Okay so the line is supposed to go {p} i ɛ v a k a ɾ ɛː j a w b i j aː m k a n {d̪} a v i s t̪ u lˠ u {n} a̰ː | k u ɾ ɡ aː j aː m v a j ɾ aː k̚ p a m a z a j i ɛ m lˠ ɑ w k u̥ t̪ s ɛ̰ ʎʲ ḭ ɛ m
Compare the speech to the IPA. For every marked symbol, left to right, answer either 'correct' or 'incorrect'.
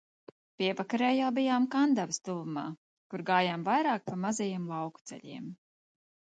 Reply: correct, correct, incorrect: m

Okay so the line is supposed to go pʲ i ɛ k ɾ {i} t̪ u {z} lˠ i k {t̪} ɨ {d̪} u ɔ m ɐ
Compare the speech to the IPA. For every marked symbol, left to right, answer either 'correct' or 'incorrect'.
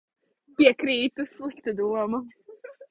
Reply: incorrect: iː, incorrect: s, correct, correct

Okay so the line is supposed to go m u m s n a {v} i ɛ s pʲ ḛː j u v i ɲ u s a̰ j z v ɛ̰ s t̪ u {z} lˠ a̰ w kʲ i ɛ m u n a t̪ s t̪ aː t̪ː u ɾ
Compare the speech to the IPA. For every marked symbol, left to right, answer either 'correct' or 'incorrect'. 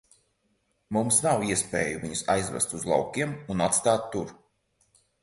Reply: incorrect: w, correct

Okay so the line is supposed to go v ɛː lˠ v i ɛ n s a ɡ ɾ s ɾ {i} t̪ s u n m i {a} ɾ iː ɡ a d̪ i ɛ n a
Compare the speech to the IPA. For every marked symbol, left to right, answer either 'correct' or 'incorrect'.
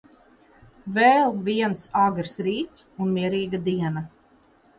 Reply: incorrect: iː, incorrect: ɛ

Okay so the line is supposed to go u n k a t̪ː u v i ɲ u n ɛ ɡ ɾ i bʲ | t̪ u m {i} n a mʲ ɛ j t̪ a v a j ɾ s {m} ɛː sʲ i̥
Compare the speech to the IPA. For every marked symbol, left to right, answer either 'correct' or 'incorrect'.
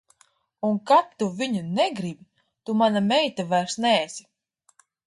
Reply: incorrect: a, incorrect: n

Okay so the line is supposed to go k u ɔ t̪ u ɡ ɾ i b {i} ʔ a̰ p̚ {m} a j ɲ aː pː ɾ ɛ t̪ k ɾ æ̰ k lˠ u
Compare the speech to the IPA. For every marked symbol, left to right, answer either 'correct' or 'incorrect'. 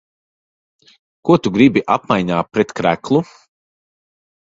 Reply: correct, correct

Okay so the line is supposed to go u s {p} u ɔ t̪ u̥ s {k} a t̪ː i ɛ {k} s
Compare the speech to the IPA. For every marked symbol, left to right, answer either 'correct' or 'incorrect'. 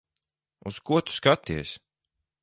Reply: incorrect: k, correct, incorrect: none

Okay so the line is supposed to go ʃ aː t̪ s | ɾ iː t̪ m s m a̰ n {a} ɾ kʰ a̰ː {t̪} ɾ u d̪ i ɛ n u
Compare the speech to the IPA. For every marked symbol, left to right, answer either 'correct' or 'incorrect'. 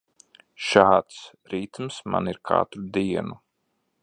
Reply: incorrect: i, correct

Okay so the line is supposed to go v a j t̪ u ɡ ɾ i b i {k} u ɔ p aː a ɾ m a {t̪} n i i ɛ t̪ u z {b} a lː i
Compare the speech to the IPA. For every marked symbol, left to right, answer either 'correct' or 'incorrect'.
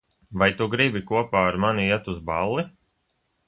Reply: correct, incorrect: none, correct

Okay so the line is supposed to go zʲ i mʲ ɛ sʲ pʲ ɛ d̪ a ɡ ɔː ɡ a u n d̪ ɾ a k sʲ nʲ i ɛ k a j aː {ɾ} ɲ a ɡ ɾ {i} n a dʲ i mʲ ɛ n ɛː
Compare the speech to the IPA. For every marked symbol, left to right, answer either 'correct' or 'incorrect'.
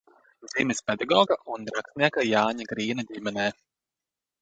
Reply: incorrect: none, incorrect: iː

